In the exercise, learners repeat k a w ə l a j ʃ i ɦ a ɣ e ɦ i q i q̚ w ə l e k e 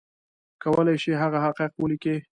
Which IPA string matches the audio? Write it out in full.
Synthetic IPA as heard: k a w ə l a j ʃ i ɦ a ɣ a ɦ a q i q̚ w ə l i k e